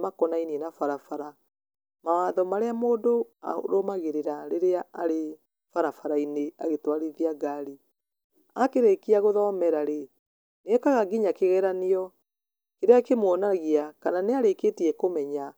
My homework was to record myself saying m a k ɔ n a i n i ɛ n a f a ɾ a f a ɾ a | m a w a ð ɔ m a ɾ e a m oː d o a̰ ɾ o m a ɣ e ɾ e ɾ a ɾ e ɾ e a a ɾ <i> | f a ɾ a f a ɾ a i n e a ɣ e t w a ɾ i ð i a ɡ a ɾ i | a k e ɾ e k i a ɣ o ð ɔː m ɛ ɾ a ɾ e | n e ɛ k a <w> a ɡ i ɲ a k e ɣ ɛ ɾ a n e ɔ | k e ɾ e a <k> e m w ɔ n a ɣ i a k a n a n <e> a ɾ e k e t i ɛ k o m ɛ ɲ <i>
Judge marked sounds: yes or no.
no, no, yes, yes, no

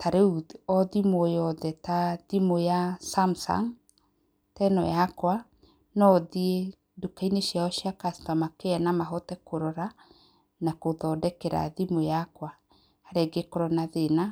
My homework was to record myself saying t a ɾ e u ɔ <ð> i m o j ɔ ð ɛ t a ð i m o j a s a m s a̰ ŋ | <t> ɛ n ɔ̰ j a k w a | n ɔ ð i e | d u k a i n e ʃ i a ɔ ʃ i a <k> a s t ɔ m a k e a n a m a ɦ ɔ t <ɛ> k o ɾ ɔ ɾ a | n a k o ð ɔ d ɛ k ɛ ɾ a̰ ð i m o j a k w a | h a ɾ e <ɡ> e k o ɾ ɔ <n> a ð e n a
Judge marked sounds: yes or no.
yes, yes, yes, yes, yes, yes

